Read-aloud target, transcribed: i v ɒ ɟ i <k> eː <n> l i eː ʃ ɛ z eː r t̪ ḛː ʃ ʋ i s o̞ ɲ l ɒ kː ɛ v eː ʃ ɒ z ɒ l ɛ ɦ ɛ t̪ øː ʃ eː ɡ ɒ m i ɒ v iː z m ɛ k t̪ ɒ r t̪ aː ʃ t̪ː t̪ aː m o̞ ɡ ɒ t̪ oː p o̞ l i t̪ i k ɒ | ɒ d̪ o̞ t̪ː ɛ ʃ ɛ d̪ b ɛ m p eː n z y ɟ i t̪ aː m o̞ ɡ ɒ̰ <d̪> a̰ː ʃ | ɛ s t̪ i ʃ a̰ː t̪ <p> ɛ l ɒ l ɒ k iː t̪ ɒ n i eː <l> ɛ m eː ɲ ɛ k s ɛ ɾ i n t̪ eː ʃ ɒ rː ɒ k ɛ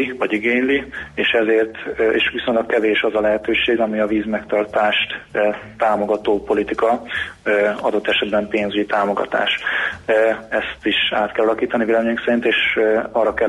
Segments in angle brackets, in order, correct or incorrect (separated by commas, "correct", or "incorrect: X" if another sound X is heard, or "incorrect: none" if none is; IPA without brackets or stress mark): incorrect: ɡ, incorrect: ɲ, incorrect: t̪, incorrect: k, correct